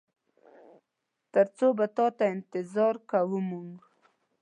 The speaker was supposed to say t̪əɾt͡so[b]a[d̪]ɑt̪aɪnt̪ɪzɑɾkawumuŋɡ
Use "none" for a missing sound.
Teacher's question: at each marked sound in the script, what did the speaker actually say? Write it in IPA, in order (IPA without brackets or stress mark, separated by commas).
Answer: b, t̪